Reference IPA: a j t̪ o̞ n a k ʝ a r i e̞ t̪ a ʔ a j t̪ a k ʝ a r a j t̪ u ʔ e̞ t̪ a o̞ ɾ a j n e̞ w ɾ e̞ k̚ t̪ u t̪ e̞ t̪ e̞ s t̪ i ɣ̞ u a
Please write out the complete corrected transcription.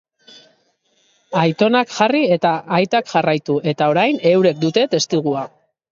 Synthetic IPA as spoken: a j t̪ o̞ n a k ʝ a r i e̞ t̪ a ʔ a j t̪ a k ʝ a r a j t̪ u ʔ e̞ t̪ a o̞ ɾ a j n e̞ w ɾ e̞ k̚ d̪ u t̪ e̞ t̪ e̞ s t̪ i ɣ̞ u a

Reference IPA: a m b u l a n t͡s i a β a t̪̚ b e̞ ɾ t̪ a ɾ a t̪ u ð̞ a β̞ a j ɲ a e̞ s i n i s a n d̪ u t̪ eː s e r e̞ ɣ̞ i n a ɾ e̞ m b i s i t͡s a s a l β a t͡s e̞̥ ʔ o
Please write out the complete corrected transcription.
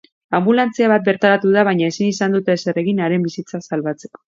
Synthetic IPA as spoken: a m b u l a n t͡s i a β a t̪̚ b e̞ ɾ t̪ a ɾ a t̪ u ð̞ a β̞ a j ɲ a e̞ s i n i s a n d̪ u t̪ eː s e r e̞ ɣ̞ i n a ɾ e̞ m b i s i t͡s a s a l β a t͡s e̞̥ k o

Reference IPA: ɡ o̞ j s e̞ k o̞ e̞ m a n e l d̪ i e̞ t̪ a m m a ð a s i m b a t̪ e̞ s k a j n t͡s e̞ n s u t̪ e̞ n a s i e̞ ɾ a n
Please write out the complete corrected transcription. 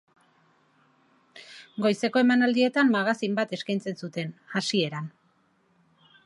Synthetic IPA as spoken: ɡ o̞ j s e̞ k o̞ e̞ m a n a l d̪ i e̞ t̪ a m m a ɣ a s i m b a t̪ e̞ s k a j n t͡s e̞ n s u t̪ e̞ n a s i e̞ ɾ a n

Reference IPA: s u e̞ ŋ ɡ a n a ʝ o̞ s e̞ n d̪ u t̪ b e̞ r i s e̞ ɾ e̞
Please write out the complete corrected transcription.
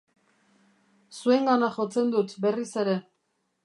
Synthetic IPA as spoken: s u e̞ ŋ ɡ a n a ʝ o̞ t͡s e̞ n d̪ u t̪ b e̞ r i s e̞ ɾ e̞

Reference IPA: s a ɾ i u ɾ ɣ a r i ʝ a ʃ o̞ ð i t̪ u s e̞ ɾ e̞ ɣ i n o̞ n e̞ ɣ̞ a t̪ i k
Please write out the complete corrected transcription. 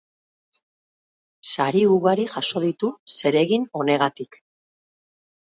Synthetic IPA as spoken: s a ɾ i u ɣ a ɾ i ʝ a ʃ o̞ ð i t̪ u s e̞ ɾ e̞ ɣ i n o̞ n e̞ ɣ̞ a t̪ i k

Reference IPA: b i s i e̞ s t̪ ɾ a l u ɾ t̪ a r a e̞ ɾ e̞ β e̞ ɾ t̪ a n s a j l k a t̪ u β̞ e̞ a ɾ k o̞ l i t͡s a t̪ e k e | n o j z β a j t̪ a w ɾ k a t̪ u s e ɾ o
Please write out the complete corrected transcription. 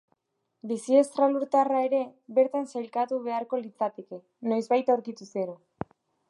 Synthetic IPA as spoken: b i s i e̞ s t̪ ɾ a l u ɾ t̪ a r a e̞ ɾ e̞ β e̞ ɾ t̪ a n s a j l k a t̪ u β̞ e̞ a ɾ k o̞ l i t͡s a t̪ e k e | n o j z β a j t̪ a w ɾ k i t̪ u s e ɾ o

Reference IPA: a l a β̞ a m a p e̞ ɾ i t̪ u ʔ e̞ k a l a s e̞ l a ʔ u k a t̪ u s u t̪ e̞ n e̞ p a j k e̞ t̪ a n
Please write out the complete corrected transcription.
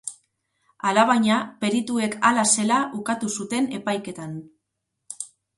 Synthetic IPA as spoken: a l a β̞ a ɲ a p e̞ ɾ i t̪ u e̞ k a l a s e̞ l a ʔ u k a t̪ u s u t̪ e̞ n e̞ p a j k e̞ t̪ a n

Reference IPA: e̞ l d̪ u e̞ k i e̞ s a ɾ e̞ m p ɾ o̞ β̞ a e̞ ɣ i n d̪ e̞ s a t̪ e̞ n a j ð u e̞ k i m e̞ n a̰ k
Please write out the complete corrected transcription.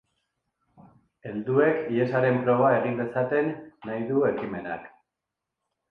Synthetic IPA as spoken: e̞ l d̪ u e̞ k i e̞ s a ɾ e̞ m p ɾ o̞ β̞ a e̞ ɣ i n d̪ e̞ s a t̪ e̞ nː a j ð u e̞ k i m e̞ n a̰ k

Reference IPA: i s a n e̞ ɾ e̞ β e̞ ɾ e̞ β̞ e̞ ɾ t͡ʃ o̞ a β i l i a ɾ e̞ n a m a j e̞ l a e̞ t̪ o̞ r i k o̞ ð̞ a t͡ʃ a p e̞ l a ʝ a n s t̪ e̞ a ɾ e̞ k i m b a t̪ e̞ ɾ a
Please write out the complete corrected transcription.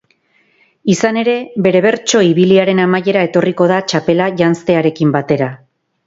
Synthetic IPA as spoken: i s a n e̞ ɾ e̞ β e̞ ɾ e̞ β̞ e̞ ɾ t͡ʃ o̞ i β i l i a ɾ e̞ n a m a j e̞ ɾ a e̞ t̪ o̞ r i k o̞ ð̞ a t͡ʃ a p e̞ l a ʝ a n s t̪ e̞ a ɾ e̞ k i m b a t̪ e̞ ɾ a

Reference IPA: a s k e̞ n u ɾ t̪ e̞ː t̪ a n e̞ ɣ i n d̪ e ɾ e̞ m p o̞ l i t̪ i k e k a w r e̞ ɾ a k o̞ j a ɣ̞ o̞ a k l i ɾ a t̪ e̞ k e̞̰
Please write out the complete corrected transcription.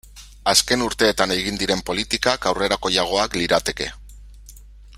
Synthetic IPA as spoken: a s k e̞ n u ɾ t̪ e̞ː t̪ a n e̞ ɣ i n d̪ i ɾ e̞ m p o̞ l i t̪ i k a k a w r e̞ ɾ a k o̞ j a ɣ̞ o̞ a k l i ɾ a t̪ e̞ k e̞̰

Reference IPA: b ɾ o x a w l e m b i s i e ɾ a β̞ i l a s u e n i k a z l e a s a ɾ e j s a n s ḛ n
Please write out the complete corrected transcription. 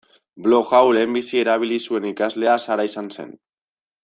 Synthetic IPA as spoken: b l o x a w l e m b i s i e ɾ a β̞ i l i s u e n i k a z l e a s a ɾ a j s a n s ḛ n

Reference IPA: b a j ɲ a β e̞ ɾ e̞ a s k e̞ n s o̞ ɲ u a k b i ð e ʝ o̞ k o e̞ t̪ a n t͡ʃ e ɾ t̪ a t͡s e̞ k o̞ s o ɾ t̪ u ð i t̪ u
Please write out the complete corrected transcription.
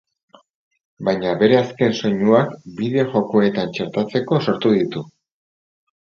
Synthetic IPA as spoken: b a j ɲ a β e̞ ɾ e̞ a s k e̞ n s o̞ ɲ u a k b i ð e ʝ o̞ k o e̞ t̪ a n t͡ʃ e ɾ t̪ a t͡s e̞ k o̞ s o ɾ t̪ u ð i t̪ u

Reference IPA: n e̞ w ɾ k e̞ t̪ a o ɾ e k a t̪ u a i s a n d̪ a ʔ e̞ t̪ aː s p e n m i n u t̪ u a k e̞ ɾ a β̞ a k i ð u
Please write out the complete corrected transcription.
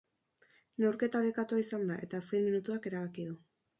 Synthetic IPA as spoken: n e̞ w ɾ k e̞ t̪ a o ɾ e k a t̪ u a i s a n d̪ a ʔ e̞ t̪ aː s k e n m i n u t̪ u a k e̞ ɾ a β̞ a k i ð u

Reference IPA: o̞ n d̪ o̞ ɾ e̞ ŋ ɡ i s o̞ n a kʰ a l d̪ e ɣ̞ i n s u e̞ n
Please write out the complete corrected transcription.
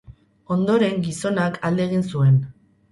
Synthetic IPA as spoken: o̞ n d̪ o̞ ɾ e̞ ŋ ɡ i s o̞ n a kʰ a l d̪ e ɣ̞ i n s u e̞ n

